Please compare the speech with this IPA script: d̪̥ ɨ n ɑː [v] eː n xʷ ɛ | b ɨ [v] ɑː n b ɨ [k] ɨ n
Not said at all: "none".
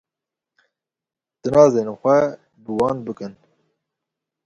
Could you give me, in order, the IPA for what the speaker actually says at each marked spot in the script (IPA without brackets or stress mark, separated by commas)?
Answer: z, w, k